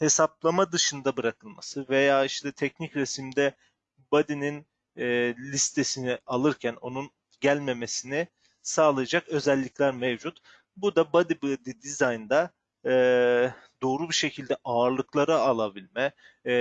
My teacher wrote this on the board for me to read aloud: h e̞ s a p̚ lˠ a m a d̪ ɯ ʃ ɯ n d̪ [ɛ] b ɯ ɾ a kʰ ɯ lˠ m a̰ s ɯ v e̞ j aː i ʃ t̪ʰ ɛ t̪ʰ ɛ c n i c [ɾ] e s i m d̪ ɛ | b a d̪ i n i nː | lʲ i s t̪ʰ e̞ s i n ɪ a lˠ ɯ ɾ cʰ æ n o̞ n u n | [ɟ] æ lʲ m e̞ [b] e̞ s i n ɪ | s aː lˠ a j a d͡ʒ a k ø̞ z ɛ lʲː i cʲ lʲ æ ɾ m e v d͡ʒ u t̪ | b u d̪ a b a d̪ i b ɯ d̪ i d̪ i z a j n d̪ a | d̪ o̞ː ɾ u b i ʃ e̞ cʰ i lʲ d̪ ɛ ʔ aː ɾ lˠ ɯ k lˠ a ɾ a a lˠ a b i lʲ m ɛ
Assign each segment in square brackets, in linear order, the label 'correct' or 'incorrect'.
incorrect: a, correct, correct, incorrect: m

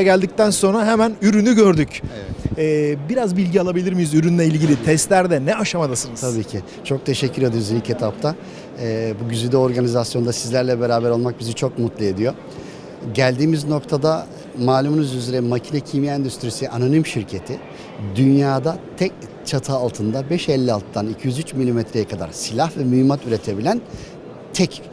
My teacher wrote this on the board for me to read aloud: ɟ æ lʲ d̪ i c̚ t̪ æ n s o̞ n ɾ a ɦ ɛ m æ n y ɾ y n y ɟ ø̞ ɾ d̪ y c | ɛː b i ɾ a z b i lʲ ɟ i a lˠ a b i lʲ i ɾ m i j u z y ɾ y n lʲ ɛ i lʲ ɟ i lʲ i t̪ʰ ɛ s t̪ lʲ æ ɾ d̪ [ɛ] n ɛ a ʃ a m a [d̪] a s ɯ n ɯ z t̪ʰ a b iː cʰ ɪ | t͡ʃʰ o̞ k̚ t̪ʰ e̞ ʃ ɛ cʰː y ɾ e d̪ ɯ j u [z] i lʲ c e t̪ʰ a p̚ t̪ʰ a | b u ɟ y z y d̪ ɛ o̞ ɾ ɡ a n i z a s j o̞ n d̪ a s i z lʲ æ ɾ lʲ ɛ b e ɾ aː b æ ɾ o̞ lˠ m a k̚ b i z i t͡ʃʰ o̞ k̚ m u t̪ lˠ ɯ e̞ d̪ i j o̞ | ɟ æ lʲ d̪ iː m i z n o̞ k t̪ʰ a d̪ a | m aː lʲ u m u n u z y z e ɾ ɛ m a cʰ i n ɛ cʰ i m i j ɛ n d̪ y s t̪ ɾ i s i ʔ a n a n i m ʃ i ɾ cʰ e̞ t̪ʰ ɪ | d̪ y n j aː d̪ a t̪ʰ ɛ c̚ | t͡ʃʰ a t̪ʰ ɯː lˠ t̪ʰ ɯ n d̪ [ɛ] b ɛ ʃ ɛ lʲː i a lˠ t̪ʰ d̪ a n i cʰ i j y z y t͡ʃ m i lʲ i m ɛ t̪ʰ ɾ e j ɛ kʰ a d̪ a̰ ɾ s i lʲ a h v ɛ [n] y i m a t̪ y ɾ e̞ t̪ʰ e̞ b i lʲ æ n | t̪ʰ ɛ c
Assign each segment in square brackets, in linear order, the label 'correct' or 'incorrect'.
correct, correct, correct, incorrect: a, incorrect: m

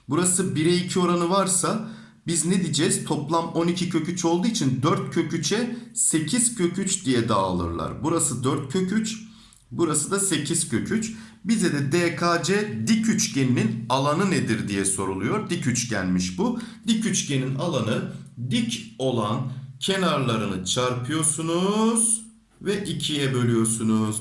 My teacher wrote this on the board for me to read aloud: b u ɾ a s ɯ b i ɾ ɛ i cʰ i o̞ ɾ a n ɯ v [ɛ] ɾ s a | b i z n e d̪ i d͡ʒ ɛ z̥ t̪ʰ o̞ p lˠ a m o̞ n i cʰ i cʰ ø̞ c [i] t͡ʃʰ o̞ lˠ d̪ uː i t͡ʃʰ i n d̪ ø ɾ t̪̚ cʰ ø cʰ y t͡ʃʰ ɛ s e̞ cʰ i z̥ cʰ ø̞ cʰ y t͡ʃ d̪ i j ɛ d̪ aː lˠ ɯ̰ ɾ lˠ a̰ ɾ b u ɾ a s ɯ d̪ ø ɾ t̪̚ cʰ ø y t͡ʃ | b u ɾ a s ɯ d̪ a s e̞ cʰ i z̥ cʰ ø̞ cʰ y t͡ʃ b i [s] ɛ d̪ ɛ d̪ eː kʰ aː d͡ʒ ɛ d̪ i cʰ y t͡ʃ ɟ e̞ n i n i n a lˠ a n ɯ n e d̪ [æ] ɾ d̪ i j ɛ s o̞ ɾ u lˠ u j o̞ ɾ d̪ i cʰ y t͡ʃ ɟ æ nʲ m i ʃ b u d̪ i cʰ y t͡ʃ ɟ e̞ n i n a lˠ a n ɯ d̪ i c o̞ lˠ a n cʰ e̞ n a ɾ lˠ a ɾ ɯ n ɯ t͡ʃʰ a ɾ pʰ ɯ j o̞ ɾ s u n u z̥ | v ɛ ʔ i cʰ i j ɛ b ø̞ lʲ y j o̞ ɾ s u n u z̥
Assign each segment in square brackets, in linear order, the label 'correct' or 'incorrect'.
incorrect: a, incorrect: y, incorrect: z, incorrect: i

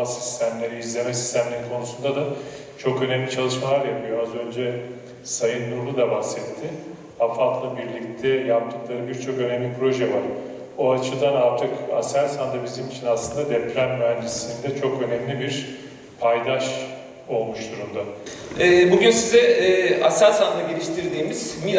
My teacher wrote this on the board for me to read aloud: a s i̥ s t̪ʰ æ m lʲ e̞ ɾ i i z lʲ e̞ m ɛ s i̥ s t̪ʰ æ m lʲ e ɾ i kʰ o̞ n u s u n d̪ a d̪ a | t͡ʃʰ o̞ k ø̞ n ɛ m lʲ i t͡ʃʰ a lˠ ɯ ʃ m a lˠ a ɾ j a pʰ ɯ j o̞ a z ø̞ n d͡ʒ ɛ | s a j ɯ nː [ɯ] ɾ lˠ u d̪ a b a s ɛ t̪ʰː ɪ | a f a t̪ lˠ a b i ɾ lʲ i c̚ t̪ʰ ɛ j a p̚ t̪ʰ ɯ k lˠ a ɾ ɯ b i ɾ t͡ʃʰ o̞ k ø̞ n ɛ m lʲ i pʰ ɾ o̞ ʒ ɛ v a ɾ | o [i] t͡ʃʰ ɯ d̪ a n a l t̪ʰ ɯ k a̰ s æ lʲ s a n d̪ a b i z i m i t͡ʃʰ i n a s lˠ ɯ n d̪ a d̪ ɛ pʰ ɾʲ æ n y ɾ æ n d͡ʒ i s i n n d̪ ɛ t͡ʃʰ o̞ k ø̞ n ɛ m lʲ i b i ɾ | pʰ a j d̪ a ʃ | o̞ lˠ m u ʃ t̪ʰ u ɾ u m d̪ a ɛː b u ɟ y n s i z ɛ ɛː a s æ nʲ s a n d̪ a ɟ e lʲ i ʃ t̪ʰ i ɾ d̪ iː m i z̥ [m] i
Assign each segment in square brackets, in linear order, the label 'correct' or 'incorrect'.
incorrect: u, incorrect: a, correct

